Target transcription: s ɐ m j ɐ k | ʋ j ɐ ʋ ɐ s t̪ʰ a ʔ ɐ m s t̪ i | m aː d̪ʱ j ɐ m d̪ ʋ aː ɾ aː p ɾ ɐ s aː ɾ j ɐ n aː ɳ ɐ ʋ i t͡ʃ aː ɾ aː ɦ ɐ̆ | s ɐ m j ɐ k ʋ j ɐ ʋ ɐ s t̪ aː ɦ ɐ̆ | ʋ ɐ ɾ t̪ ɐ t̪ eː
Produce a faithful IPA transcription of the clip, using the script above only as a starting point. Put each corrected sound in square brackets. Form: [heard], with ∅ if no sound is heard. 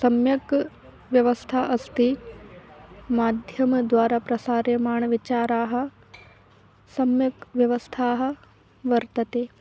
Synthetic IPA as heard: s ɐ m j ɐ k | ʋ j ɐ ʋ ɐ s t̪ʰ a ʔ ɐ [∅] s t̪ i | m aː d̪ʱ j ɐ m d̪ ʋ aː ɾ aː p ɾ ɐ s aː ɾ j ɐ [m] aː ɳ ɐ ʋ i t͡ʃ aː ɾ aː ɦ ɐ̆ | s ɐ m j ɐ k ʋ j ɐ ʋ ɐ s [t̪ʰ] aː ɦ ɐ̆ | ʋ ɐ ɾ t̪ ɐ t̪ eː